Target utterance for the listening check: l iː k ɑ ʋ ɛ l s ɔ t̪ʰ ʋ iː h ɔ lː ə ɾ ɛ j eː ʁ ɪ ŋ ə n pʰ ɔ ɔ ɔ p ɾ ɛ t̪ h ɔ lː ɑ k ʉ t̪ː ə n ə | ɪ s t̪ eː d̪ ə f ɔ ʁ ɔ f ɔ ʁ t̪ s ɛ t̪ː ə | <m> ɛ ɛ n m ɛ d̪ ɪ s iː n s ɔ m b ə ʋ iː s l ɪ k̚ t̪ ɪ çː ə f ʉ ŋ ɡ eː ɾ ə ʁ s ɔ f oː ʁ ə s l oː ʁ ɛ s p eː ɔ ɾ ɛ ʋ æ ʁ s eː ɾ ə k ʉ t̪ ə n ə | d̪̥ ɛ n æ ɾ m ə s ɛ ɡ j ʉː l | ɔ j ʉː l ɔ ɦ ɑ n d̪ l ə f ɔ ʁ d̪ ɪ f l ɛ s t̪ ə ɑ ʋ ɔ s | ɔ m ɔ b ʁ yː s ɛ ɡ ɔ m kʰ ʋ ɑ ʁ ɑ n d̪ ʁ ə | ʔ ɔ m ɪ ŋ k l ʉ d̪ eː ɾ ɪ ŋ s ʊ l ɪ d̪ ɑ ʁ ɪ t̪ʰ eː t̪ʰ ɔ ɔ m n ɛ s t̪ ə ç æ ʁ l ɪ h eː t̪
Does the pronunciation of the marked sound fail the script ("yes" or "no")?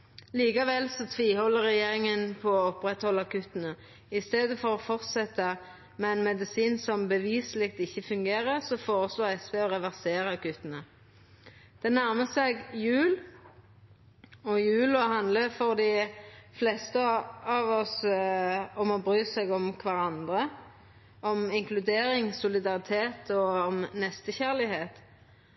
no